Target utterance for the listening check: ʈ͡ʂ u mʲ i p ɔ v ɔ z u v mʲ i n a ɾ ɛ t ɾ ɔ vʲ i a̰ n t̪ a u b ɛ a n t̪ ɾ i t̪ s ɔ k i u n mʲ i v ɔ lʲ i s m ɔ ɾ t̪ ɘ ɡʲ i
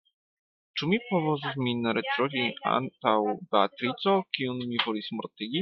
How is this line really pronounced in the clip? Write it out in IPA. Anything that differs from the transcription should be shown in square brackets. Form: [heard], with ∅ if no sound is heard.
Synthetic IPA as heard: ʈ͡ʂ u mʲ i p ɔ v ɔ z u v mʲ i n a ɾ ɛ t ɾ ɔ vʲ i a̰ n t̪ a [w] b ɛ a [∅] t̪ ɾ i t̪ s ɔ k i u n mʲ i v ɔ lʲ i s m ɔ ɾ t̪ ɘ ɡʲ i

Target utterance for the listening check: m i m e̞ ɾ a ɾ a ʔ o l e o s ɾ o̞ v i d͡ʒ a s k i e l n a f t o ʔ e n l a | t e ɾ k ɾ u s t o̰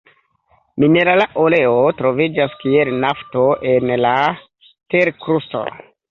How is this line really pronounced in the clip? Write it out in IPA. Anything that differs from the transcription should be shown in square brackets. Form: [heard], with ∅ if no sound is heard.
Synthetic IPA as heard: m i [n] e̞ ɾ a [l] a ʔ o l e o [t] ɾ o̞ v i d͡ʒ a s k i e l n a f t o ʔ e n l a | t e ɾ k ɾ u s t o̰

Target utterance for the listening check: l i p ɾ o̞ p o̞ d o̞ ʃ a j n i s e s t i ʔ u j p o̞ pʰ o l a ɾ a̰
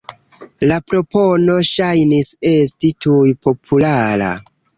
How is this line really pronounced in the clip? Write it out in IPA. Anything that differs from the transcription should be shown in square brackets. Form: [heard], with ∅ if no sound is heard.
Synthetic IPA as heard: l [a] p ɾ o̞ p o̞ [n] o̞ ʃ a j n i s e s t i [t] u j p o̞ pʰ [u] l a ɾ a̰

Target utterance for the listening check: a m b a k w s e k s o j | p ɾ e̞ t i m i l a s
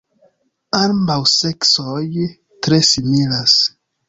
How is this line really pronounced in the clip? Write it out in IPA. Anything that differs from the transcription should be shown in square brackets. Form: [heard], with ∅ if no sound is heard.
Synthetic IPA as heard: a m b a [∅] w s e k s o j | [t] ɾ e̞ [s] i m i l a s

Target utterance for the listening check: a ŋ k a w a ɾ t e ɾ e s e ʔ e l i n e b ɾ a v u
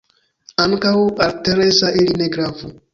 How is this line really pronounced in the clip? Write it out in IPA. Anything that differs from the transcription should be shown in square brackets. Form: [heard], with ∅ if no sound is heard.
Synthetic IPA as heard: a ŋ k a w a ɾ t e ɾ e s [a] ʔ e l i n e [ɡ] ɾ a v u

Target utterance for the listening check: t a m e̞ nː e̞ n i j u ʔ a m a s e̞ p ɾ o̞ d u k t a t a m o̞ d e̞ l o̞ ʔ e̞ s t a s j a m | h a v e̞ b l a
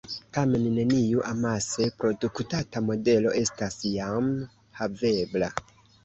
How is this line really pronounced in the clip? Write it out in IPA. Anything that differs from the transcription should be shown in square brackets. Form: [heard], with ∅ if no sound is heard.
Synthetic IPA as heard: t a m e̞ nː e̞ n i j u ʔ a m a s e̞ p ɾ o̞ d u k t a t a m o̞ d e̞ l o̞ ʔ e̞ s t a s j a m | h a v e̞ b l a

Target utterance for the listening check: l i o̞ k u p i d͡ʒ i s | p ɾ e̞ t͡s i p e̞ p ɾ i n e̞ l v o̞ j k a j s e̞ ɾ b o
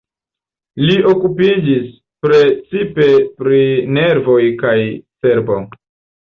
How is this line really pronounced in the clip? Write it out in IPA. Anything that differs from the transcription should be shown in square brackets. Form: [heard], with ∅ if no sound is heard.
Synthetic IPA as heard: l i o̞ k u p i d͡ʒ i s | p ɾ e̞ t͡s i p e̞ p ɾ i n e̞ [ɾ] v o̞ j k a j s e̞ ɾ b o

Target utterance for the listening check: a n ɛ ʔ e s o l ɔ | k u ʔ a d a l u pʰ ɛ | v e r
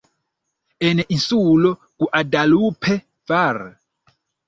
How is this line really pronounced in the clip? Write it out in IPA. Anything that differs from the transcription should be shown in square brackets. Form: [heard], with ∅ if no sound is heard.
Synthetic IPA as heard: [ɛ] n ɛ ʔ [i] s [u] l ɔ | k u ʔ a d a l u pʰ ɛ | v [a] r

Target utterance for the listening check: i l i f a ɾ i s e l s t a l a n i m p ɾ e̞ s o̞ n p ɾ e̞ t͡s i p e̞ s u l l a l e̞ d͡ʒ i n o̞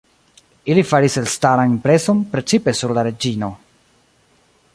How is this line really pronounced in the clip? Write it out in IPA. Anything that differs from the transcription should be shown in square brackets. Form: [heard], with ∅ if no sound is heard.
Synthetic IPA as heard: i l i f a ɾ i s e l s t a [ɾ] a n i m p ɾ e̞ s o̞ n p ɾ e̞ t͡s i p e̞ s u [ɾ] l a [ɾ] e̞ d͡ʒ i n o̞

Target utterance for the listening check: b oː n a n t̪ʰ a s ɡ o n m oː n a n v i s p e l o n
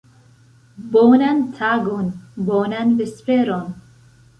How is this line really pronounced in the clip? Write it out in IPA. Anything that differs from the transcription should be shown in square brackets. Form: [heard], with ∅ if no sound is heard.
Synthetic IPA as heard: b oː n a n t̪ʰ a [∅] ɡ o n [b] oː n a n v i s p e [ɾ] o n

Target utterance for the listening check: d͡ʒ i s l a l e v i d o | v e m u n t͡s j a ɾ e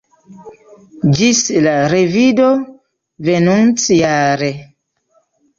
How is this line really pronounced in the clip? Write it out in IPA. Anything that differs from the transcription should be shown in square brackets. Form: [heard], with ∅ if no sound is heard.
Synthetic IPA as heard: d͡ʒ i s l a [ɾ] e v i d o | v e [n] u n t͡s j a ɾ e

